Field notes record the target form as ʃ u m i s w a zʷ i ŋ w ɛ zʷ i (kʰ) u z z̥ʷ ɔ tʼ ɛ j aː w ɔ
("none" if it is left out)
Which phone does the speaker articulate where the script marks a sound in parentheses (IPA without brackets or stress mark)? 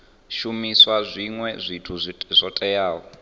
tʰ